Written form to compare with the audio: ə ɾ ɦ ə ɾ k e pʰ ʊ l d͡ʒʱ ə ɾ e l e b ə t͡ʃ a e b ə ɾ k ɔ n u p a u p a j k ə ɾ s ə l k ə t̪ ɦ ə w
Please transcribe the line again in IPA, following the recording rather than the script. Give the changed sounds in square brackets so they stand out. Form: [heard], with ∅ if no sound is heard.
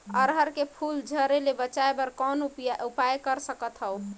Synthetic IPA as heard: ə ɾ ɦ ə ɾ k e pʰ [u] l d͡ʒʱ ə ɾ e l e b ə t͡ʃ a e b ə ɾ k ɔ n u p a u p a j k ə ɾ s ə [∅] k ə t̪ ɦ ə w